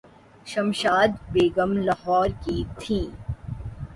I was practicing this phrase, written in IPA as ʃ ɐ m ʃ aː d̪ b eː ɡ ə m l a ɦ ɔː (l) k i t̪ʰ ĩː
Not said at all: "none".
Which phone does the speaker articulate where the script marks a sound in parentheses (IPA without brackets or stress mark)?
ɾ